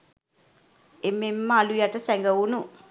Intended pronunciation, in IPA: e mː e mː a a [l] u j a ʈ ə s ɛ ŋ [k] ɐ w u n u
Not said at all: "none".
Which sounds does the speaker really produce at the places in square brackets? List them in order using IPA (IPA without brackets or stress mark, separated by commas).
l, ɡ